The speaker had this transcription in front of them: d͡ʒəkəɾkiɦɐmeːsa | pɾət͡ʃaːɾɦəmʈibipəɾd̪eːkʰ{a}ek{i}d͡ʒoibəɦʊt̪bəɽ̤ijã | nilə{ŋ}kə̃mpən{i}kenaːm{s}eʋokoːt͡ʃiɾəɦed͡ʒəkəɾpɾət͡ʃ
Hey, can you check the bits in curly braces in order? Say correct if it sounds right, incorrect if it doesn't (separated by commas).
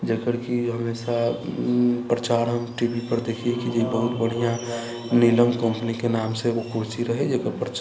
incorrect, correct, incorrect, correct, correct